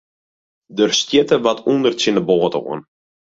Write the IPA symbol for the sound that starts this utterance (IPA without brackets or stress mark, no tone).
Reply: d